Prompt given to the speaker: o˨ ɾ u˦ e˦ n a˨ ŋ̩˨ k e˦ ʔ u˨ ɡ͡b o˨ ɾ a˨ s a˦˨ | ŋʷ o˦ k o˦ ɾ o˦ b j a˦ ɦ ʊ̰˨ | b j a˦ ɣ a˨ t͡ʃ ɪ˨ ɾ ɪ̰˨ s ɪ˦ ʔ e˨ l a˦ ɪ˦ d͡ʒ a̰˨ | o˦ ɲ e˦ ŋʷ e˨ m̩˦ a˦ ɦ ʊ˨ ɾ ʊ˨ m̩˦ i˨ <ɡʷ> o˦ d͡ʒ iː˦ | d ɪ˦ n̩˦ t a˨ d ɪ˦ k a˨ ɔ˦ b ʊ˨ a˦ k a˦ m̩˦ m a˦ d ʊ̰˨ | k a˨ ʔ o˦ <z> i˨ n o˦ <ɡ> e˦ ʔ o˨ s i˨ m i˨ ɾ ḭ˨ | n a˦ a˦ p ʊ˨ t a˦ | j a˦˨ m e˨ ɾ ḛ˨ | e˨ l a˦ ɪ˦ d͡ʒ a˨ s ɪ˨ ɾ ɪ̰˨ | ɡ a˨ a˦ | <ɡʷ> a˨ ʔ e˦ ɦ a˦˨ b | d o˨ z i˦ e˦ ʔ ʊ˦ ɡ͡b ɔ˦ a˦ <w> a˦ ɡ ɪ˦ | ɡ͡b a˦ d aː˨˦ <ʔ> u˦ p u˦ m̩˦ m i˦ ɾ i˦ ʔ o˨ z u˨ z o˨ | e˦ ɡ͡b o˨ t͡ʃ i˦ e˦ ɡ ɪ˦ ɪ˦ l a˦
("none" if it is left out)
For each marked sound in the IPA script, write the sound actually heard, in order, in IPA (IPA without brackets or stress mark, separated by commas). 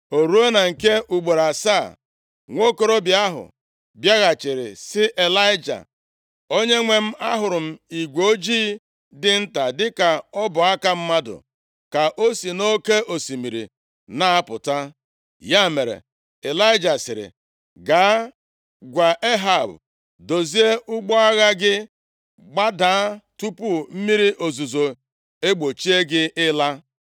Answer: ɡʷ, s, k, ɡʷ, ɣ, t